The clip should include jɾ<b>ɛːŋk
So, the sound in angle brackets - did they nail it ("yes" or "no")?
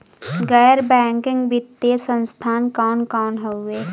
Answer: yes